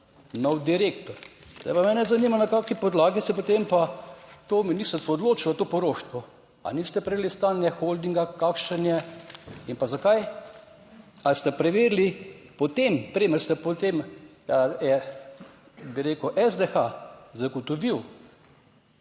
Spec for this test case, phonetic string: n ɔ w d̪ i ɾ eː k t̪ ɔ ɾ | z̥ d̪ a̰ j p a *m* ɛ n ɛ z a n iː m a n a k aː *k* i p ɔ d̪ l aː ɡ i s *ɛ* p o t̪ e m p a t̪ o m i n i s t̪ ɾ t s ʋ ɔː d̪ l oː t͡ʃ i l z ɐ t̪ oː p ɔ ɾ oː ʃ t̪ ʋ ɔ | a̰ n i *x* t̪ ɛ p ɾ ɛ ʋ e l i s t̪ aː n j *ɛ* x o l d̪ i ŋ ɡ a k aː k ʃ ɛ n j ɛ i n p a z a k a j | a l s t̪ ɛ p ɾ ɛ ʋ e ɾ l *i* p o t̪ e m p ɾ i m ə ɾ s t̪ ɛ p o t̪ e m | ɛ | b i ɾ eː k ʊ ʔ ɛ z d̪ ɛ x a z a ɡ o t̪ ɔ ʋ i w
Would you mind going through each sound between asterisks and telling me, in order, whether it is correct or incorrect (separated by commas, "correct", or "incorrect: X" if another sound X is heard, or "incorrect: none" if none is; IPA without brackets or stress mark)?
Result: correct, correct, correct, incorrect: s, correct, correct